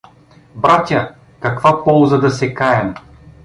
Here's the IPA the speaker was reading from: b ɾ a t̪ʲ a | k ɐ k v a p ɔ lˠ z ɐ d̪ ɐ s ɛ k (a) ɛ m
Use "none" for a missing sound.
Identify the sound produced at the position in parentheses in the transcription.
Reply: a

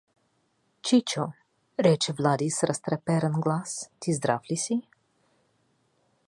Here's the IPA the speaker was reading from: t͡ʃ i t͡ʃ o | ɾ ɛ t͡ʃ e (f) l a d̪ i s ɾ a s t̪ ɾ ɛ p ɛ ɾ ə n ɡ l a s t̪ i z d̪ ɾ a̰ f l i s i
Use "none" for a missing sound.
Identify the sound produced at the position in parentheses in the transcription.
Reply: v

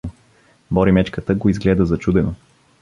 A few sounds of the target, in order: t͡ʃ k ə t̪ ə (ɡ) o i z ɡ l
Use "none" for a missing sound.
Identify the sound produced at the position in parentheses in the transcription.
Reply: ɡ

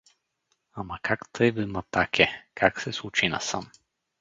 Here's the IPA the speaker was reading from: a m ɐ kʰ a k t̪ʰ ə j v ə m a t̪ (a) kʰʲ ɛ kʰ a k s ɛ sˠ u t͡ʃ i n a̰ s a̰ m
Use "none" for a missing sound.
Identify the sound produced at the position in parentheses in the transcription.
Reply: a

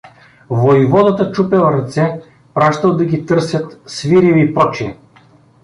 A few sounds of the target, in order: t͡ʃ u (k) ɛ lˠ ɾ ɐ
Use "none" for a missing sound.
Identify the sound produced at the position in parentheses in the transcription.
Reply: p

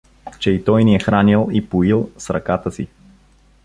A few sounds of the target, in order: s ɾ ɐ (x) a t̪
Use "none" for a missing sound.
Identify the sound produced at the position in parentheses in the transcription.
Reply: k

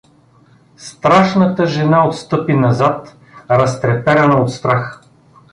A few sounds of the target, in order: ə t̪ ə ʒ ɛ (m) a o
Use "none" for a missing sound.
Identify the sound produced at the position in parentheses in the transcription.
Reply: n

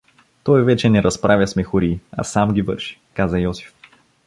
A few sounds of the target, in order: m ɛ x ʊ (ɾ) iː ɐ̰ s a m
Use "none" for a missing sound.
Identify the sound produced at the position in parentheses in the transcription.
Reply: ɾ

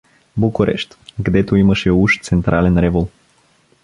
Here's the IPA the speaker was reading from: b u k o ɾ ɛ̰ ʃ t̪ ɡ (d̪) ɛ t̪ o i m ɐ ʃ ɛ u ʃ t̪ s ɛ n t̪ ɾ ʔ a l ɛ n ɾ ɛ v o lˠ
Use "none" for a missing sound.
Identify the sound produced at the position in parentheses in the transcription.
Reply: d̪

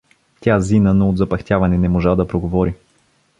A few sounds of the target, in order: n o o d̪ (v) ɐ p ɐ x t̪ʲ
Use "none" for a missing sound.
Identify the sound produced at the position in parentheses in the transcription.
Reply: z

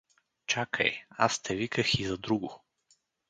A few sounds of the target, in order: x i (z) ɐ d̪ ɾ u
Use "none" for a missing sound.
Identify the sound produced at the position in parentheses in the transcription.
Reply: z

